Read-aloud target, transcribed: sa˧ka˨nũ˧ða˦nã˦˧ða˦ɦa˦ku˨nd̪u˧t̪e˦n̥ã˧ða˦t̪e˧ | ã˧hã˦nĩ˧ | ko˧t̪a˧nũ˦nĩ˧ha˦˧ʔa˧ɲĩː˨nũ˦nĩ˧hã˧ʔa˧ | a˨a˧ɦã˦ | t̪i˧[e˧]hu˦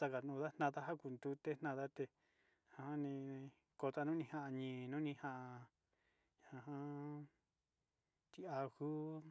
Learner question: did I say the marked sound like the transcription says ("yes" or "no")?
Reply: no